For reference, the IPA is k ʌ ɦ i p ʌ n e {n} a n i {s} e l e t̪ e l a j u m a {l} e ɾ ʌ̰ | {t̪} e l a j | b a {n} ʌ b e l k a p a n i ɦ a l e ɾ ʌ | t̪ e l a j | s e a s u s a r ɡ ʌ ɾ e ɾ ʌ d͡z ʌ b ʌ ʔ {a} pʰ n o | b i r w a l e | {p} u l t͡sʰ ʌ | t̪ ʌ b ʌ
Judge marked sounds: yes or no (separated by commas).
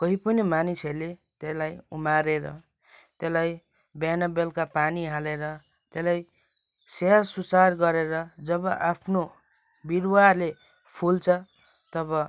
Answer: no, yes, no, yes, yes, yes, no